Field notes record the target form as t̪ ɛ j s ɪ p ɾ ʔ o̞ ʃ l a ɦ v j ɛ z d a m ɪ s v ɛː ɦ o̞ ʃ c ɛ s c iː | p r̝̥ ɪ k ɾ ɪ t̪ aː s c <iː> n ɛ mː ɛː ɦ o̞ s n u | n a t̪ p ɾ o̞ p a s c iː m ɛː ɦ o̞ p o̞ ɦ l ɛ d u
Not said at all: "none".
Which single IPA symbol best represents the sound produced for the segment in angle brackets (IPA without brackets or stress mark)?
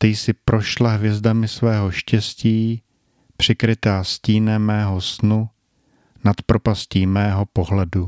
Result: iː